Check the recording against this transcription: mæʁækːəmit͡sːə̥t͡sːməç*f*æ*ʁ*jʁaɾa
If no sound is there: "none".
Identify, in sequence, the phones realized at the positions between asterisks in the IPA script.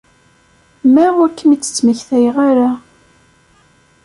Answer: θ, none

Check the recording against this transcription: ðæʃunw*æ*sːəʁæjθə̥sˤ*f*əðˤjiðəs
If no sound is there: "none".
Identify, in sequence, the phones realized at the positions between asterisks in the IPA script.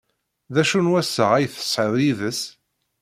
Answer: æ, ħ

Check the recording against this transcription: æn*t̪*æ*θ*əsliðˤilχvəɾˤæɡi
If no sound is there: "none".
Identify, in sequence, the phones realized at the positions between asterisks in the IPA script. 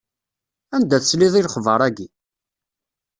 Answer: d̪, θ

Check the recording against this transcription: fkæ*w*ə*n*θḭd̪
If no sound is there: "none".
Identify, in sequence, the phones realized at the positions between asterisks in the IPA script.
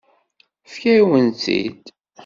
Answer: w, n

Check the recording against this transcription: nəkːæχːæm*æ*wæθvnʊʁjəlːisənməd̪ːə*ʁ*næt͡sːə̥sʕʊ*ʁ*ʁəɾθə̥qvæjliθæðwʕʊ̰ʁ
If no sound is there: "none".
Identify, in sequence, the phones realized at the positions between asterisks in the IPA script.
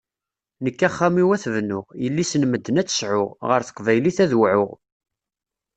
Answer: i, none, ʁ

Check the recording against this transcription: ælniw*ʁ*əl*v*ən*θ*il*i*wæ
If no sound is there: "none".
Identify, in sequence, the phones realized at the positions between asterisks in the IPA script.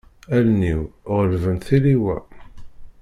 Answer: ʁ, v, θ, i

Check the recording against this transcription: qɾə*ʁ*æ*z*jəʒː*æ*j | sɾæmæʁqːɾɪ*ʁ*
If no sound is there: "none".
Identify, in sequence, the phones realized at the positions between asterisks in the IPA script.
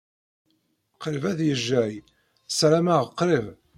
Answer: v, ð, æ, v

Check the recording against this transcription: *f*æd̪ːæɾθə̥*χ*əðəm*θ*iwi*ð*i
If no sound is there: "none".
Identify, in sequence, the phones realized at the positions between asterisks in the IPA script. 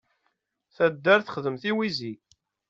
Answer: θ, χ, θ, z

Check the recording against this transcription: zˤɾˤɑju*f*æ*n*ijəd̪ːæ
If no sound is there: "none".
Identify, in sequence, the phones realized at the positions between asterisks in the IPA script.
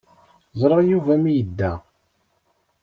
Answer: v, m

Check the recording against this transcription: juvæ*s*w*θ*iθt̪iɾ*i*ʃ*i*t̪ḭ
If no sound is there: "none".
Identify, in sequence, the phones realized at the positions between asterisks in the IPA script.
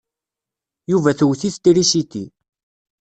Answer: θ, θ, i, i

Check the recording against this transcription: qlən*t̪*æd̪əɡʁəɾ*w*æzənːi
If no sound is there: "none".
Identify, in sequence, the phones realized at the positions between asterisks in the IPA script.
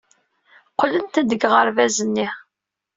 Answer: t̪, v

